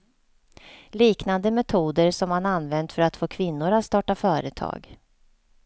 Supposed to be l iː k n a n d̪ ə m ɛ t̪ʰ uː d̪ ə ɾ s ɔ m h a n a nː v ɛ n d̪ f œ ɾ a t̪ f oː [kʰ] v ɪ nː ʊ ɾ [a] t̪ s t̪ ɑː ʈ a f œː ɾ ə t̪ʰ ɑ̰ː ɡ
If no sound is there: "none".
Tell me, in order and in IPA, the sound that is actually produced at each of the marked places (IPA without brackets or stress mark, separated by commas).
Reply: kʰ, a